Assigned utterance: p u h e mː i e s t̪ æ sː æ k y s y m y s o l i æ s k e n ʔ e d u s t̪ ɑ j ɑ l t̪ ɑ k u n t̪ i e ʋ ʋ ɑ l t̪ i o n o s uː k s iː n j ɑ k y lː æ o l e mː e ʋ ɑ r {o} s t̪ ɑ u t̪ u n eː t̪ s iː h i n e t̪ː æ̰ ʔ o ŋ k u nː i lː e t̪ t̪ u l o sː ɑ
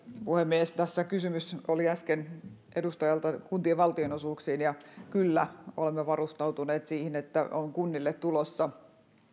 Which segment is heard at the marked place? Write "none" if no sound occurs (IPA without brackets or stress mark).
u